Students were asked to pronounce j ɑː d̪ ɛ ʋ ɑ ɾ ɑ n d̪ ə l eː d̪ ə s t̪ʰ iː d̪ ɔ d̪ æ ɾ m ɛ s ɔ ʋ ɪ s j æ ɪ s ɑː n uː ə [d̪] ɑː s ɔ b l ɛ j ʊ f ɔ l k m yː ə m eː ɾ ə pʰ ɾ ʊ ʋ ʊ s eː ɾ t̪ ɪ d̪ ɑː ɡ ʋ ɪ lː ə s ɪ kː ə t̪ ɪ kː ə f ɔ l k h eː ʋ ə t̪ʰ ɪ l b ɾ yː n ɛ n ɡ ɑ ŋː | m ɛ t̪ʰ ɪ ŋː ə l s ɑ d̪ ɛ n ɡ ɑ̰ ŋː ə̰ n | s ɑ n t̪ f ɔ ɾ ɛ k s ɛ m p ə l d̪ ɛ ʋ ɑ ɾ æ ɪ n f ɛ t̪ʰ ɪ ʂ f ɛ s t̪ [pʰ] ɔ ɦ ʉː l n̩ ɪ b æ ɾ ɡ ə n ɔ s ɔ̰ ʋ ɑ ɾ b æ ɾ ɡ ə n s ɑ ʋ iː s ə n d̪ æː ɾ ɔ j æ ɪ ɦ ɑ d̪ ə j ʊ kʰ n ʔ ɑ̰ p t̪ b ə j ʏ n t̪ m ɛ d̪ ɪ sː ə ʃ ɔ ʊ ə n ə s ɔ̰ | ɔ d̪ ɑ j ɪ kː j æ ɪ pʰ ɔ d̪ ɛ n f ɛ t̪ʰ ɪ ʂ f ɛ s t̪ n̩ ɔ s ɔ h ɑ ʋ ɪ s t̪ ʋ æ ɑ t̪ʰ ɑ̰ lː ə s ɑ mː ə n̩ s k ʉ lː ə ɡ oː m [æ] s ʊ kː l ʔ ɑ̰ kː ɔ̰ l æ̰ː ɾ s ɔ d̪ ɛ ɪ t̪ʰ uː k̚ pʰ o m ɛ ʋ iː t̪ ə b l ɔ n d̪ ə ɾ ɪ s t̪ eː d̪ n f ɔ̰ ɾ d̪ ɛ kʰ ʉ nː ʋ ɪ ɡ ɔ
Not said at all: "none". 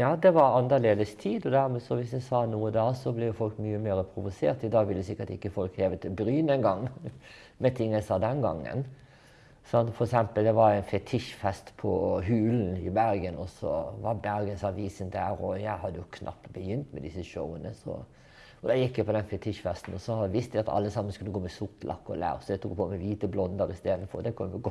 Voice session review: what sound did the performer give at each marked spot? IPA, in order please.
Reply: d̪, pʰ, ɛ

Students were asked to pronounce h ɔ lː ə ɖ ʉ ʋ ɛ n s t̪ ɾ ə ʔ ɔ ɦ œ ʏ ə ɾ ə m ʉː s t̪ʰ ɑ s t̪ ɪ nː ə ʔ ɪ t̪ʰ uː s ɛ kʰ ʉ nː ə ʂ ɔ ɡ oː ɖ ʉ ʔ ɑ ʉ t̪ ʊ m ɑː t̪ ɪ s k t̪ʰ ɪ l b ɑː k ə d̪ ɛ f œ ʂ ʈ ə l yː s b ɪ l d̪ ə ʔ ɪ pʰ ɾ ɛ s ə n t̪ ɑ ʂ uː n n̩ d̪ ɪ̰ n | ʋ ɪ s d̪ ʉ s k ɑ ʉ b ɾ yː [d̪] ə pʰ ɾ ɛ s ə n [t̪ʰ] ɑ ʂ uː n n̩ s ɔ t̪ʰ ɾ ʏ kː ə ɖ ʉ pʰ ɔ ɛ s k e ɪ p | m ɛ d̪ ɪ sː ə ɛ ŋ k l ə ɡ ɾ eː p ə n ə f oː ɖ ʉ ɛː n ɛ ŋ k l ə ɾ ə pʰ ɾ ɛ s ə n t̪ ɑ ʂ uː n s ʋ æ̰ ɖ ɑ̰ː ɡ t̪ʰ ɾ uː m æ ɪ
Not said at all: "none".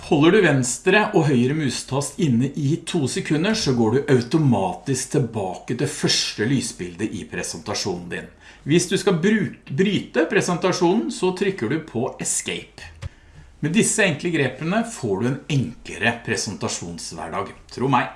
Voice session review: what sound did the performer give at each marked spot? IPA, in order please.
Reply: t̪, t̪

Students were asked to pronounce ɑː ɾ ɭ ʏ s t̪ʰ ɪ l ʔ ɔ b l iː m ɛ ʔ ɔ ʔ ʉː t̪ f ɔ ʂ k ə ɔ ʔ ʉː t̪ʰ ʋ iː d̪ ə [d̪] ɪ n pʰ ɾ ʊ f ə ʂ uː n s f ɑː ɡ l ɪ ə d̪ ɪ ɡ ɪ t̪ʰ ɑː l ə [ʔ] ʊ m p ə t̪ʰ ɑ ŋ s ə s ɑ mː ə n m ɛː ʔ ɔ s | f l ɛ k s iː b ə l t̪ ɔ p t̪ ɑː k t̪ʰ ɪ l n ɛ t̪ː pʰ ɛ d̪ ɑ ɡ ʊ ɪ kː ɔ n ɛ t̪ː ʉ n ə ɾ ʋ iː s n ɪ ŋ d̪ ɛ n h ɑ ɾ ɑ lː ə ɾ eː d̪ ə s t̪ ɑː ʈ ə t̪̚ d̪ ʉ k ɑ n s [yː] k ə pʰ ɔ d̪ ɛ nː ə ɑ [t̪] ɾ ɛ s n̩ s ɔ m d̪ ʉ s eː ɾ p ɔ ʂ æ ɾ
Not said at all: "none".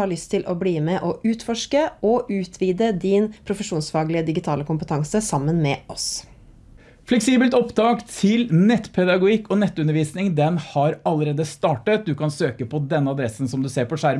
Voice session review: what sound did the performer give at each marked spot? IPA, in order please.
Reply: d̪, k, øː, d̪

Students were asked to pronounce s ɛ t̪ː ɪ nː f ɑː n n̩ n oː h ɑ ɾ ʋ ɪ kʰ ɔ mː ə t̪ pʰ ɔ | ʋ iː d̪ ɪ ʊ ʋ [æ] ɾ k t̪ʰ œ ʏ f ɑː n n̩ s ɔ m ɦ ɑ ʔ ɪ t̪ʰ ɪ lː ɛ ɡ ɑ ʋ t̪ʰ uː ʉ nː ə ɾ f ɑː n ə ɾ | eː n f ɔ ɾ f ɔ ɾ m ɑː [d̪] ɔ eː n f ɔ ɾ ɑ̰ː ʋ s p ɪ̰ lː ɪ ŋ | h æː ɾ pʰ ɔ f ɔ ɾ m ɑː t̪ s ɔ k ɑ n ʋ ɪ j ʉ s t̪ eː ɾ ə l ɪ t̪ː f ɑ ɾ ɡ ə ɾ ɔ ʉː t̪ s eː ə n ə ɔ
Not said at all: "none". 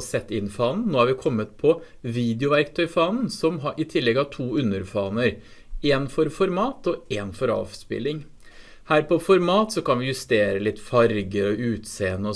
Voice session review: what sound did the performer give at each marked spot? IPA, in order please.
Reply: æ, t̪

